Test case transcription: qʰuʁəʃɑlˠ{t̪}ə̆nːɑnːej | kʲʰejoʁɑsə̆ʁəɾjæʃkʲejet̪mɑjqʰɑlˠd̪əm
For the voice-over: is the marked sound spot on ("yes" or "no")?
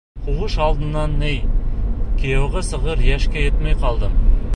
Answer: no